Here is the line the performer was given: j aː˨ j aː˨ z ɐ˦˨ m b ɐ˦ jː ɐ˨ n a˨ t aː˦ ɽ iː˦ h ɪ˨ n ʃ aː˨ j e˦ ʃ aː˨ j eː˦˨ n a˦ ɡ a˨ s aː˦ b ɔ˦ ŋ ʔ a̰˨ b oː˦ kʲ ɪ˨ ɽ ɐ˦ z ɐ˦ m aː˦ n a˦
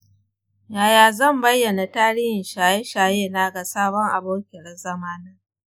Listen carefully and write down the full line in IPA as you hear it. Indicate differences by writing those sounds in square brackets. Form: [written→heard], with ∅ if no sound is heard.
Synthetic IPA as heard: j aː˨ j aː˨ z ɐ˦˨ m b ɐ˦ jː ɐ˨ n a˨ t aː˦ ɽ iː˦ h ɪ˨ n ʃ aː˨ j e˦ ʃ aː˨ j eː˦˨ n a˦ ɡ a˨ s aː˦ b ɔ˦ ŋ ʔ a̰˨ b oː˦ kʲ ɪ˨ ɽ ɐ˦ z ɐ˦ m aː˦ n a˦